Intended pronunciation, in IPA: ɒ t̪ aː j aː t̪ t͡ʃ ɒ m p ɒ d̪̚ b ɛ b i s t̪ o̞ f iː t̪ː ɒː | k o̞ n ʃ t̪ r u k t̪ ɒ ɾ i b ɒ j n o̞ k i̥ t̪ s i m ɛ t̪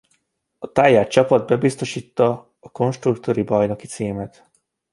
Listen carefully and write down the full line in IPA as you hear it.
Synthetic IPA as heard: ɒ t̪ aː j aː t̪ t͡ʃ ɒ p ɒ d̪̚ b ɛ b i s t̪ o̞ ʃ iː t̪ː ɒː | k o̞ n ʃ t̪ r u k t̪ o ɾ i b ɒ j n o̞ k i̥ t̪ s iː m ɛ t̪

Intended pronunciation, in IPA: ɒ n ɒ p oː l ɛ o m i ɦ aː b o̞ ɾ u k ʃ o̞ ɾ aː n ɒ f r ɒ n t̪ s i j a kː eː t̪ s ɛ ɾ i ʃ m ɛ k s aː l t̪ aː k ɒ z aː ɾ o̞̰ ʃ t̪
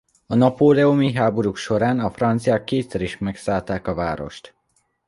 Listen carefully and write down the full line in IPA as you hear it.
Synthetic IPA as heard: ɒ n ɒ p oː l ɛ o m i ɦ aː b o̞ ɾ u k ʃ o̞ ɾ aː n ɒ f r ɒ n t̪ s i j a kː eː t̪ s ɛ ɾ i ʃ m ɛ k s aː l t̪ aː k ɒ v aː ɾ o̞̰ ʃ t̪

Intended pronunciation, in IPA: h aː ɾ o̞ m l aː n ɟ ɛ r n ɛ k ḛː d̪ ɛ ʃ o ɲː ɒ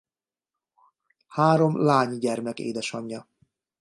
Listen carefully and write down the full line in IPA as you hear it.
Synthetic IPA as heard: h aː ɾ o̞ m l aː ɲ ɟ ɛ r m ɛ k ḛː d̪ ɛ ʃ ɒ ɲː ɒ

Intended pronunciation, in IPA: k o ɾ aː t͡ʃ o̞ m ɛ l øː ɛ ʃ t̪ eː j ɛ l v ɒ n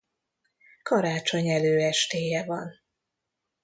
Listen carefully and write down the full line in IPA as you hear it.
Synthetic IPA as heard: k ɒ ɾ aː t͡ʃ o̞ ɲ ɛ l øː ɛ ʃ t̪ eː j ɛ v ɒ n

